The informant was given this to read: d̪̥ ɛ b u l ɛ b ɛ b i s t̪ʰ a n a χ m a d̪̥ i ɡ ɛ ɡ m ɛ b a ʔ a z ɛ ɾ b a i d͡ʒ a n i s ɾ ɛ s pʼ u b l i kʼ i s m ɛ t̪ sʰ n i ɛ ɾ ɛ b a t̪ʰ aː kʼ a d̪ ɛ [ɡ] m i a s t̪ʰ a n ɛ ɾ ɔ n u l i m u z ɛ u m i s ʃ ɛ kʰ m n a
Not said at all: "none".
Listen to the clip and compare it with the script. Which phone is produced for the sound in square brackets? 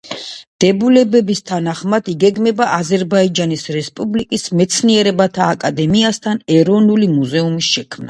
none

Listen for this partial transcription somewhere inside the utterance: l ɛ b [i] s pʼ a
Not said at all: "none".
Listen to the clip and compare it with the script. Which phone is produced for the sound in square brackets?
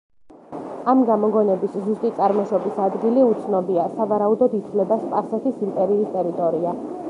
a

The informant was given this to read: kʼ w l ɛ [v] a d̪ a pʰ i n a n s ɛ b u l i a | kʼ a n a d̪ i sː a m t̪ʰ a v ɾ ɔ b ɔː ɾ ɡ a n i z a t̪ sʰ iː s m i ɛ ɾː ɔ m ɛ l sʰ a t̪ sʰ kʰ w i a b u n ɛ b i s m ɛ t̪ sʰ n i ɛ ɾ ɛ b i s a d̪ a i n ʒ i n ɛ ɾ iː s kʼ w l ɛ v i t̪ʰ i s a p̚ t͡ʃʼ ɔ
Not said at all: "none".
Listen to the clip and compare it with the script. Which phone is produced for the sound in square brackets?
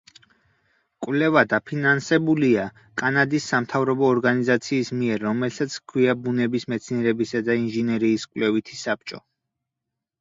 v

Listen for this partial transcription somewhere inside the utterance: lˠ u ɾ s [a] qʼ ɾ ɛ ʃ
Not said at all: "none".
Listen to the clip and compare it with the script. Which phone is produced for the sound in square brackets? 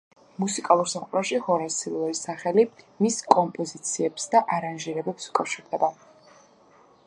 a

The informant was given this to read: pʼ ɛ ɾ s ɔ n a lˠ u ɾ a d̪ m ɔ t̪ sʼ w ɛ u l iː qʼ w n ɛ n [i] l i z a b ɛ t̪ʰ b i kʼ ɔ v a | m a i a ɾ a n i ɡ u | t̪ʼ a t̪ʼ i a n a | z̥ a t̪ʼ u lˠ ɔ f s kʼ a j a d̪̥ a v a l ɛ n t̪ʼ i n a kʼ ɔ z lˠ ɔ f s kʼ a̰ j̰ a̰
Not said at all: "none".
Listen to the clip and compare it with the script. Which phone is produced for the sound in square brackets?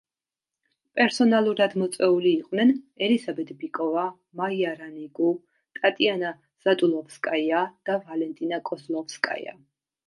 ɛ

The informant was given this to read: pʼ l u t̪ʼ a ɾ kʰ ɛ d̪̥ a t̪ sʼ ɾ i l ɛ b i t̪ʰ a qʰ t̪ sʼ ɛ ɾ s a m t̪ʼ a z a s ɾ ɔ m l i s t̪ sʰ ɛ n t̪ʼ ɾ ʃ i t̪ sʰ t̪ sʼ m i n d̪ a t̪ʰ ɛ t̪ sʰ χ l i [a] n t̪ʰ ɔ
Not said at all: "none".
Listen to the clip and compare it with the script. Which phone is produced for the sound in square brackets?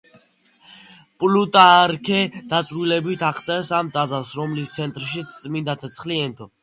ɛ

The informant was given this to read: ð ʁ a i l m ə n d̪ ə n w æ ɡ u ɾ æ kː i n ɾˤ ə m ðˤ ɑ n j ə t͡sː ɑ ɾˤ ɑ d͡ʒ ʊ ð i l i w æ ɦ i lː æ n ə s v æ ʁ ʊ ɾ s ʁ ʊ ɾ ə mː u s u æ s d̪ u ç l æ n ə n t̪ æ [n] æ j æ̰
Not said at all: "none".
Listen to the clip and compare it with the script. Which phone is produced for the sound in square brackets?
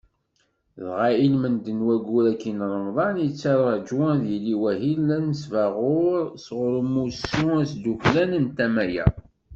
m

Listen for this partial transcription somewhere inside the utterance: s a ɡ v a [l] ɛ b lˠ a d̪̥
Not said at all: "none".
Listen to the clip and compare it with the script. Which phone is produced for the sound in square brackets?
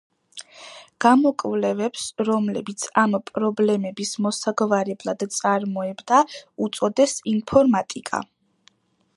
ɾ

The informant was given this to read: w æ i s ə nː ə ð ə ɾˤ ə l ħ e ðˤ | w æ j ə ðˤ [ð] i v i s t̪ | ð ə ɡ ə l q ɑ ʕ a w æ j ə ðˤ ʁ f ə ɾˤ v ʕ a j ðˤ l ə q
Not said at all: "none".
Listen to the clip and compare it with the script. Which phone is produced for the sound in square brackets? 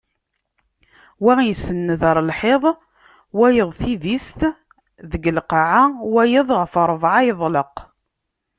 θ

